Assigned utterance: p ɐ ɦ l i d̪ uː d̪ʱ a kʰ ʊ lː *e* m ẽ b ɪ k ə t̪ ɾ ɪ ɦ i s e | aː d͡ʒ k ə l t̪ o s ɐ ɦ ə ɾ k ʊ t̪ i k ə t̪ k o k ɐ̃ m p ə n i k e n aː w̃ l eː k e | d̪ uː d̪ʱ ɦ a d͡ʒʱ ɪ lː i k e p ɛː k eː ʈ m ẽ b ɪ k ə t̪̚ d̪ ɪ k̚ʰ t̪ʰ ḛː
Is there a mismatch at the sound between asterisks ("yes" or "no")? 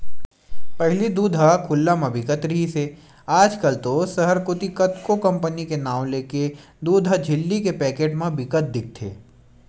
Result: yes